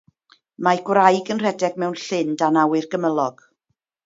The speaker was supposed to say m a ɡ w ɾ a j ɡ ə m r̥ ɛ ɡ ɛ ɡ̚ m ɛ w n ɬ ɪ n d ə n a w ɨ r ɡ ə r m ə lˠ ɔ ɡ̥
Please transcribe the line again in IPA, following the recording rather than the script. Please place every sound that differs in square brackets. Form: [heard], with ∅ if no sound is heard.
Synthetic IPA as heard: m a ɡ w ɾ a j ɡ ə [n] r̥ ɛ [d] ɛ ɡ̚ m ɛ w n ɬ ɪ n d [a] n a w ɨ r ɡ ə [∅] m ə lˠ ɔ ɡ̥